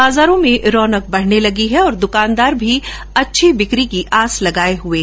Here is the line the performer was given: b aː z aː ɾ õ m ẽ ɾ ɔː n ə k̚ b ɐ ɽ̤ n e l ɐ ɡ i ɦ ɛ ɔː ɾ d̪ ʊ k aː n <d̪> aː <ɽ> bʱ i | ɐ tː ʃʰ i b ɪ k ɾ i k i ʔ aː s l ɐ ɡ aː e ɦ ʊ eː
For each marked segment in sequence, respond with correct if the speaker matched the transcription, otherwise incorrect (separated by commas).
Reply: correct, incorrect